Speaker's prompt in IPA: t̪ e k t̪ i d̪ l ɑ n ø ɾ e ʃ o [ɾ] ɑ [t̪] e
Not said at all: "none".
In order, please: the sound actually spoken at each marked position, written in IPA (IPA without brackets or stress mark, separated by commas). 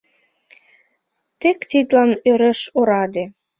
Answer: ɾ, d̪